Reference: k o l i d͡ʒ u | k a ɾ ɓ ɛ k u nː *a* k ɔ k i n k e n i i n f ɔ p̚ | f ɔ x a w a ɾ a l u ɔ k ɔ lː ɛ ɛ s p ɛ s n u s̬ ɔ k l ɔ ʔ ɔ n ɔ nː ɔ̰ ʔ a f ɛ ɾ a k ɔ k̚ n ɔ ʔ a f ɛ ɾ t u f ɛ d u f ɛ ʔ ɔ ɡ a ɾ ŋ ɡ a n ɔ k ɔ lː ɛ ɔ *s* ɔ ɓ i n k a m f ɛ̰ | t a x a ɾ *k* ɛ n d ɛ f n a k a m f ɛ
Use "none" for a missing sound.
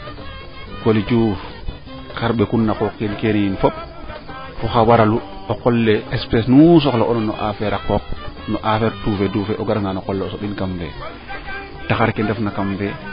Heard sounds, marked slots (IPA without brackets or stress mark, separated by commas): a, s, k